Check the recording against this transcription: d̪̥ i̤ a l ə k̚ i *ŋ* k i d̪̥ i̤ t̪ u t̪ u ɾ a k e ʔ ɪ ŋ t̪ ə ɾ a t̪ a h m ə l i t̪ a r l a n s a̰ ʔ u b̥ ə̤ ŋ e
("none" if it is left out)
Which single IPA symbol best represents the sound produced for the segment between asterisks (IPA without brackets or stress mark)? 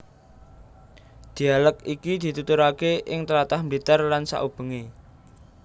none